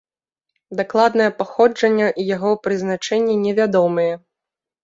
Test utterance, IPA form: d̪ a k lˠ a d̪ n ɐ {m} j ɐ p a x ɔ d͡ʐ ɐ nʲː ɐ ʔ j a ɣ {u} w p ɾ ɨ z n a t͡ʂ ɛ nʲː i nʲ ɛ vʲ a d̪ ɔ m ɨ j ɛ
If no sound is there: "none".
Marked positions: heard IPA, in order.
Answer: none, ɔ

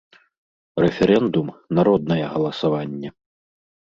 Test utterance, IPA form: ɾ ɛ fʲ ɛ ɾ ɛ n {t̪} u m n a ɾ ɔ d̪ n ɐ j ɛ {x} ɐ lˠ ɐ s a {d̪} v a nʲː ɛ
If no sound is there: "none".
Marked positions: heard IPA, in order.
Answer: d̪, ɣ, none

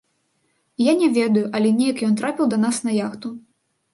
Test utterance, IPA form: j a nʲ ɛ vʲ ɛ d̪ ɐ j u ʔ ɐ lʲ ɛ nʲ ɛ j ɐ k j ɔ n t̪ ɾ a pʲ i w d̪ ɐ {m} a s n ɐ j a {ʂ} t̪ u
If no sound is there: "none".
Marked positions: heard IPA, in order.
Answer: n, x

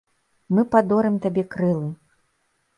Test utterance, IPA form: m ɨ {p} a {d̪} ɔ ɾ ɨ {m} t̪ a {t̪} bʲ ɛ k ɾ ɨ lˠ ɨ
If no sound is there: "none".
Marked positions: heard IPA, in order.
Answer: p, d̪, m, none

